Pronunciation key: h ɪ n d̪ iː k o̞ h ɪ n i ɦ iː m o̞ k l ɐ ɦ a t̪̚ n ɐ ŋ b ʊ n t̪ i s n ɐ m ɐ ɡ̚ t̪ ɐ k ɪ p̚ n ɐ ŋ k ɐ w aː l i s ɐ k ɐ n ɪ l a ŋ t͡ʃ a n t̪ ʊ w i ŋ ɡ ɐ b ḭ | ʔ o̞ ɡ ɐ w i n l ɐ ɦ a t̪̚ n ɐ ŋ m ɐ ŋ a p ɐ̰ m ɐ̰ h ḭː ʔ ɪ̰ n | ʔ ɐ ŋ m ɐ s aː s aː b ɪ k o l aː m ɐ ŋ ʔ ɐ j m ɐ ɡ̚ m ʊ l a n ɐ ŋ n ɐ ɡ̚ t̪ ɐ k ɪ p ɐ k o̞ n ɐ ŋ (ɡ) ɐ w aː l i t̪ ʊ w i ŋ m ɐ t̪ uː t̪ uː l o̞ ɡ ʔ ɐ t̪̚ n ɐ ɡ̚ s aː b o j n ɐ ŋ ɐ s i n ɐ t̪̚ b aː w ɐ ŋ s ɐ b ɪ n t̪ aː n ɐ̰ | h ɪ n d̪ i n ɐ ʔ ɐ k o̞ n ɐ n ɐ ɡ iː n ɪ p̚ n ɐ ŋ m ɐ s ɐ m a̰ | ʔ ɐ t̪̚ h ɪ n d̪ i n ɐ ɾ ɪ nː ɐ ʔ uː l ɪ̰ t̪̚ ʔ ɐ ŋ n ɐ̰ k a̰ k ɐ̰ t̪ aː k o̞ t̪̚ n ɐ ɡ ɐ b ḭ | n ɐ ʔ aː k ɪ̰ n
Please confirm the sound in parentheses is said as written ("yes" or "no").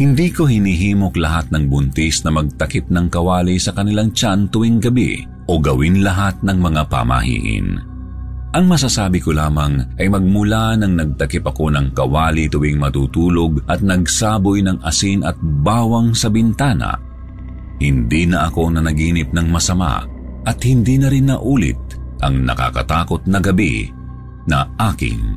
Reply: no